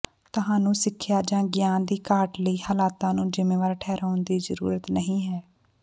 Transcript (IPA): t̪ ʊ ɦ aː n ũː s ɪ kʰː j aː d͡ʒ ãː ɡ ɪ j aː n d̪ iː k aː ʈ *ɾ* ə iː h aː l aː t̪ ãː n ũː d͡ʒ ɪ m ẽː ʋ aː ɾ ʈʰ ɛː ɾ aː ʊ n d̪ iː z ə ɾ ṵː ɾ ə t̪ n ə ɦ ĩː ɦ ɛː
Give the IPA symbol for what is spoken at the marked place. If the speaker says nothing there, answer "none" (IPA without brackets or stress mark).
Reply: l